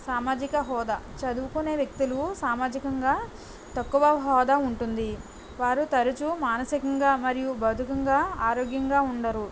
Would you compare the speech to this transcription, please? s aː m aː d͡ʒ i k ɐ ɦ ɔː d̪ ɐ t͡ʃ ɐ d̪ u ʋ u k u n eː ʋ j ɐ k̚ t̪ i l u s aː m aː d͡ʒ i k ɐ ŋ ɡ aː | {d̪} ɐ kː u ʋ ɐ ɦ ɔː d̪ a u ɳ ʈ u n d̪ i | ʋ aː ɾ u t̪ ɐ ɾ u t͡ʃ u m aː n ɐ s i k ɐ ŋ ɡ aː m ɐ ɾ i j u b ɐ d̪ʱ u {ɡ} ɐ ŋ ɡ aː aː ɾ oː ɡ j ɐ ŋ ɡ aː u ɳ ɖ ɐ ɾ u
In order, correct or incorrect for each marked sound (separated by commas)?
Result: incorrect, incorrect